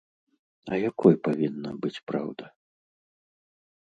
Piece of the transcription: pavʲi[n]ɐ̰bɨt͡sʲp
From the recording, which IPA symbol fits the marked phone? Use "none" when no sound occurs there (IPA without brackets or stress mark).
nː